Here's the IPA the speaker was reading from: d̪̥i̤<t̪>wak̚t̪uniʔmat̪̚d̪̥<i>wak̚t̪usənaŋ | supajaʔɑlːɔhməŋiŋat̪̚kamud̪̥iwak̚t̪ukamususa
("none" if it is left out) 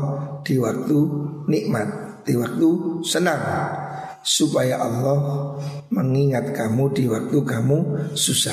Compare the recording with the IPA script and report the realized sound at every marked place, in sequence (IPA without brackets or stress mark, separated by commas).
none, i